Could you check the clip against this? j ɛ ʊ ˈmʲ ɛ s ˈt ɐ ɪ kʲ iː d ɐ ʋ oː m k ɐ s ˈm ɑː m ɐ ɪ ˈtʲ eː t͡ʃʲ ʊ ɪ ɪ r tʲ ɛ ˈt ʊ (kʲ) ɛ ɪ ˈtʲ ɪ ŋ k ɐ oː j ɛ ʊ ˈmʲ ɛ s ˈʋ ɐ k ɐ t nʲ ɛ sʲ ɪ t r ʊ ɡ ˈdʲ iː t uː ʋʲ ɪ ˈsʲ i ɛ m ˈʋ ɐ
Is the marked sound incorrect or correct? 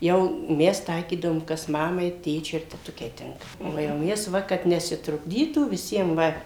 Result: correct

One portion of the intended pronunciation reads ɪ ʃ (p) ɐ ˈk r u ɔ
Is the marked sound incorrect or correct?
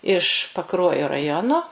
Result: correct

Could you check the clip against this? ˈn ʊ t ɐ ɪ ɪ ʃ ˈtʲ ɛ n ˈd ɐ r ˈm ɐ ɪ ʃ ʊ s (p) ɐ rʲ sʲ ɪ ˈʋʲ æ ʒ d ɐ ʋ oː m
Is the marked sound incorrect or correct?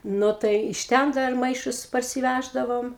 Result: correct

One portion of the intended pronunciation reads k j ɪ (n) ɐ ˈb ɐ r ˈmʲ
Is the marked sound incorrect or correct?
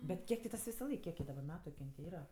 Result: incorrect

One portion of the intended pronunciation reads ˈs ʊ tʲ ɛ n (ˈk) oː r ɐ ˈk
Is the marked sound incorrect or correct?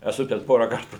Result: incorrect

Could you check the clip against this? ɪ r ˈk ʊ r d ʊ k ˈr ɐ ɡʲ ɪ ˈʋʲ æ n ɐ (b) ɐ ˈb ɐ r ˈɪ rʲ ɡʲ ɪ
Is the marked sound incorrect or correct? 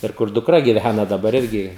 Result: incorrect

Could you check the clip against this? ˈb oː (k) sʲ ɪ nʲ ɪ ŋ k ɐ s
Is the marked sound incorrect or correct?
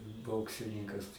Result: correct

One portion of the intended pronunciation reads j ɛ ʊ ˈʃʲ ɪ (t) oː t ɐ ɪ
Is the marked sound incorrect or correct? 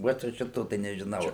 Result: correct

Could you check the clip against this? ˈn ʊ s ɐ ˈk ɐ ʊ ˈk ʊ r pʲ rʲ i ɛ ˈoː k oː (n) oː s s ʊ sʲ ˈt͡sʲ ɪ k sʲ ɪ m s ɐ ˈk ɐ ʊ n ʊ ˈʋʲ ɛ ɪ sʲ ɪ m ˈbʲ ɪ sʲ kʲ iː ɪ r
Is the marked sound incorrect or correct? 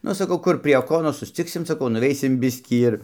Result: correct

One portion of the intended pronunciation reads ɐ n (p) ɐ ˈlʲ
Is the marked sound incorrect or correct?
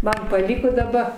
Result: correct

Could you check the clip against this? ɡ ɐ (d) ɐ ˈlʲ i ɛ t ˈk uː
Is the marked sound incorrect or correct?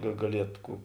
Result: incorrect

